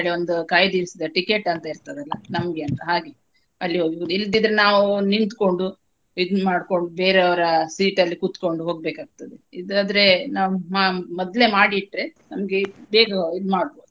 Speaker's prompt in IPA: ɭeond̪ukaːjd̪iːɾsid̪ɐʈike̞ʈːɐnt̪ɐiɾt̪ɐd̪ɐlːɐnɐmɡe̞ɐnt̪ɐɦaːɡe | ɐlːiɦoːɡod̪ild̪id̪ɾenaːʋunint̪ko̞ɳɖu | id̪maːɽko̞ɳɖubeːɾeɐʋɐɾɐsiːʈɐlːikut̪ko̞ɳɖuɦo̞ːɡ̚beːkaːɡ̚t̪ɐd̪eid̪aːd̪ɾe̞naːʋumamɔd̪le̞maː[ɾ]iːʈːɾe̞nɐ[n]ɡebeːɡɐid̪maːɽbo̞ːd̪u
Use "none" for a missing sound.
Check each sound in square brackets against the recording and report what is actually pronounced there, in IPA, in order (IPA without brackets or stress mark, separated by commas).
ɽ, m